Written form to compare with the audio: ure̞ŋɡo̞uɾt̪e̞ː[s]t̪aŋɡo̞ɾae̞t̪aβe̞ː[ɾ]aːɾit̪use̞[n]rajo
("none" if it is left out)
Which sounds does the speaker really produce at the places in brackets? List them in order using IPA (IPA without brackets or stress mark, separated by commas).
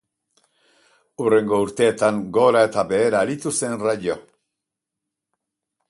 none, ɾ, n